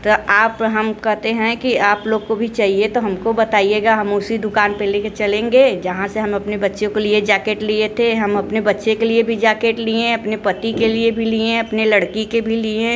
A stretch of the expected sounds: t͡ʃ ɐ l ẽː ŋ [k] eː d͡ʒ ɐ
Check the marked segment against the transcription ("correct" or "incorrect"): incorrect